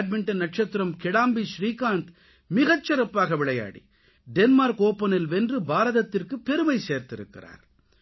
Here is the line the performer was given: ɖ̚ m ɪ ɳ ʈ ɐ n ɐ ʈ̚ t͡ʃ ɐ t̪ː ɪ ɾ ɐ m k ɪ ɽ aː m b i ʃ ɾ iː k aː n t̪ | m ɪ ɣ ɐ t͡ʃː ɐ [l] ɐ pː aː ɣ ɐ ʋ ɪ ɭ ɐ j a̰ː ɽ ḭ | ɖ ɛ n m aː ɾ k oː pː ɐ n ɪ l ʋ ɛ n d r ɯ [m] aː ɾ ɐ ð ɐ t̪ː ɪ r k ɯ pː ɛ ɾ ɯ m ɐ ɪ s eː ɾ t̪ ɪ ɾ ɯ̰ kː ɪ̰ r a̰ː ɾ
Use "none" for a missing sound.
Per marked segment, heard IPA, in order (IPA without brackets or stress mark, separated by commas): ɾ, b